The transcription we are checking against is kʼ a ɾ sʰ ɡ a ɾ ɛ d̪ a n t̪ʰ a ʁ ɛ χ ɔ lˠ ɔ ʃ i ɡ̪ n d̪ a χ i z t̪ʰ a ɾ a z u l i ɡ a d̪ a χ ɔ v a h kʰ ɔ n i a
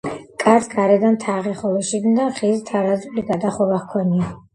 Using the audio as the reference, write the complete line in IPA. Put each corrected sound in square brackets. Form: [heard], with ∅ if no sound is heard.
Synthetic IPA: kʼ a ɾ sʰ ɡ a ɾ ɛ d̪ a n t̪ʰ a ʁ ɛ χ ɔ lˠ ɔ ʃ i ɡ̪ n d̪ a χ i z t̪ʰ a ɾ a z u l i ɡ a d̪ a χ ɔ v a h kʰ ɔ n i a